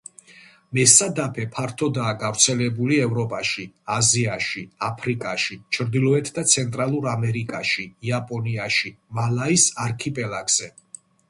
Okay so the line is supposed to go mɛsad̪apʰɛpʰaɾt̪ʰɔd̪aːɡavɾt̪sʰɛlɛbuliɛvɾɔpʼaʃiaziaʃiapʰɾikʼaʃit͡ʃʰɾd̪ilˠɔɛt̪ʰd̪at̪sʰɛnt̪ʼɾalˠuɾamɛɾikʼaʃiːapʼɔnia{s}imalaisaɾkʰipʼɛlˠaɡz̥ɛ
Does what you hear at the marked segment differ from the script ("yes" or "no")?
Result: yes